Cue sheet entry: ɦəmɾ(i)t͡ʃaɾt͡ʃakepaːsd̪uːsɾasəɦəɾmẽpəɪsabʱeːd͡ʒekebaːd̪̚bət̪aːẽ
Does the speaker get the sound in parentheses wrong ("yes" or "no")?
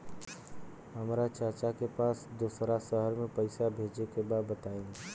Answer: yes